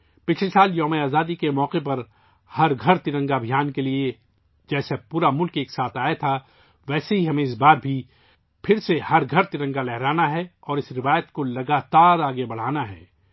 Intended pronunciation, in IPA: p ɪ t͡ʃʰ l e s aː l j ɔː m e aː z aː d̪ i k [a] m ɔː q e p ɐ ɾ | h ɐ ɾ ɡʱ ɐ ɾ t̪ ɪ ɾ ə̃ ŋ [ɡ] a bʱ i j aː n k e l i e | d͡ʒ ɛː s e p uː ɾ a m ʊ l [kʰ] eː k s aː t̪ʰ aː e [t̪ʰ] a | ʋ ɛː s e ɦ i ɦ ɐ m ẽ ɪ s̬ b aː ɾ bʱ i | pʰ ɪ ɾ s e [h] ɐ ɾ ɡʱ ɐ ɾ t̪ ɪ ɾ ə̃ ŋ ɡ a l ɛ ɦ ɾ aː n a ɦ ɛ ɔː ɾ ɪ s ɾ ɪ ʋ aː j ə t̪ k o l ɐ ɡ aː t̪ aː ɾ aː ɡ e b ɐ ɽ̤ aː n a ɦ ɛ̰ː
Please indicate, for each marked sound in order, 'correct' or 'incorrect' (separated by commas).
incorrect, correct, incorrect, correct, correct